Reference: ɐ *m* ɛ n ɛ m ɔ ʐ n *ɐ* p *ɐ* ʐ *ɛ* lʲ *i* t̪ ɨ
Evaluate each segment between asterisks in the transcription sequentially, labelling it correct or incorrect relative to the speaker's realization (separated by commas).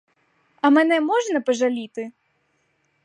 correct, correct, correct, incorrect, correct